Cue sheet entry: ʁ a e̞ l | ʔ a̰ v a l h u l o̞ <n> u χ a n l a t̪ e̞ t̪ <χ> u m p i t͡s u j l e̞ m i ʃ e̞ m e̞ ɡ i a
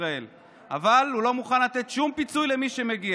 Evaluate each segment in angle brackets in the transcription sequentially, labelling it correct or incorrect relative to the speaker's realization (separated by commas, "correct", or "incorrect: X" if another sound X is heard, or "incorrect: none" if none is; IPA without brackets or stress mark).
incorrect: m, incorrect: ʃ